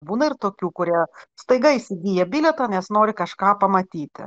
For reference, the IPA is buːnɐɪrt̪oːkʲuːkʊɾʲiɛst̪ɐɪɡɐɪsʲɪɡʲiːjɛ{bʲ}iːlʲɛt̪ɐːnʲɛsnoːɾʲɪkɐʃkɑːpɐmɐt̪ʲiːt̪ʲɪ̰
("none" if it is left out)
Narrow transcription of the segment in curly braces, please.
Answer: bʲ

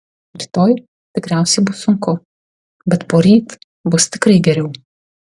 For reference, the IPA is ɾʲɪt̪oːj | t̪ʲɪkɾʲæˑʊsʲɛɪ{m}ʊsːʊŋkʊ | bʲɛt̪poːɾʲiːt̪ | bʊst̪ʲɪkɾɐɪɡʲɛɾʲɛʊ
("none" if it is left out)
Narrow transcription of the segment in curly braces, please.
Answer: b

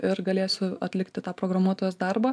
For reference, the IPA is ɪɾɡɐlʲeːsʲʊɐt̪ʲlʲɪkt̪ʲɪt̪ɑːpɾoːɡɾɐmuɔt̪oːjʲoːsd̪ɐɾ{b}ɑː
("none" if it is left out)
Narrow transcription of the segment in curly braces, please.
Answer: b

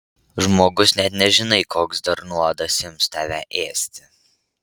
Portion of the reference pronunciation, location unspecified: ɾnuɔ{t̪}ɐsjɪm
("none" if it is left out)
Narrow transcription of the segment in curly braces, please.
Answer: d̪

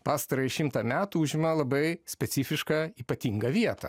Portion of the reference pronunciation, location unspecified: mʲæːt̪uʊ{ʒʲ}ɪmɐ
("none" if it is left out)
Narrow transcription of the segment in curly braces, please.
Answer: ʒʲ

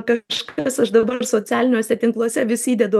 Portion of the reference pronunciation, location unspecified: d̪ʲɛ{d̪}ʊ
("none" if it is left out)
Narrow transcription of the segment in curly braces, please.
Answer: d̪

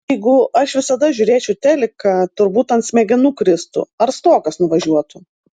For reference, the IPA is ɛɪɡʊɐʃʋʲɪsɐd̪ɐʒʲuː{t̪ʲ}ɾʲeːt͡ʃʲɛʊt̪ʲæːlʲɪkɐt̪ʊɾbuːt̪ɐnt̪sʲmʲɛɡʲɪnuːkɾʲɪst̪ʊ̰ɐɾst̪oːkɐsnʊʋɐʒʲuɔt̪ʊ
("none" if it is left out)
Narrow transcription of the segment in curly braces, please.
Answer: none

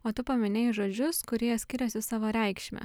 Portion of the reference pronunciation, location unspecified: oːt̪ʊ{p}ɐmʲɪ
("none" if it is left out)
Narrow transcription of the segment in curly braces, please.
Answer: p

